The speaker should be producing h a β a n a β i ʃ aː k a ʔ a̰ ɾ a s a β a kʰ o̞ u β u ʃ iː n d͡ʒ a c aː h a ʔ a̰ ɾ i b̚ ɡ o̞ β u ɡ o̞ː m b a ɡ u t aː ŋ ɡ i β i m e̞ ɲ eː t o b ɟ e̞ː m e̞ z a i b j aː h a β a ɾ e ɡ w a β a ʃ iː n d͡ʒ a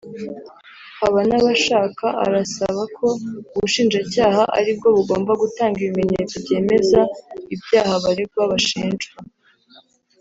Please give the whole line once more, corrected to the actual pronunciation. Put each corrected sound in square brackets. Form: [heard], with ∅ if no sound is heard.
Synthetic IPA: h a β a n a β [a] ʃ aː k a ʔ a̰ ɾ a s a β a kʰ o̞ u β u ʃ iː n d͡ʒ a c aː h a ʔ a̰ ɾ i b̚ ɡ o̞ β u ɡ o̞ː m b a ɡ u t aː ŋ ɡ i β i m e̞ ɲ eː [t͡s] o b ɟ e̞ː m e̞ z a i b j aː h a β a ɾ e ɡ w a β a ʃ iː n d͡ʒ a

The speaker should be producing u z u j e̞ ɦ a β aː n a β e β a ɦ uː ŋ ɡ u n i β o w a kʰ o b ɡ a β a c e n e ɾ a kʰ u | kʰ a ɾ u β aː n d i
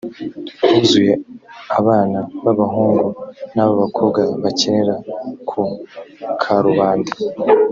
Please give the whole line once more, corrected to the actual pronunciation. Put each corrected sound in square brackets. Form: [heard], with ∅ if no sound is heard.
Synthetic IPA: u z u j e̞ [∅] a β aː n a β [a] β a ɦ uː ŋ ɡ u n [a] β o [β] a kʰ o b ɡ a β a c e n e ɾ a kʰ u | kʰ a ɾ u β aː n d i

